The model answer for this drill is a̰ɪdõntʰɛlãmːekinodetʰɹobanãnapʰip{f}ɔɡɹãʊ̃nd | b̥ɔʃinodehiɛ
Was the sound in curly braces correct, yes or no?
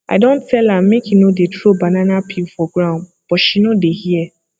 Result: yes